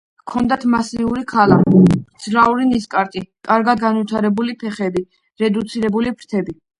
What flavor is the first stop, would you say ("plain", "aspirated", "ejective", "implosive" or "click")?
aspirated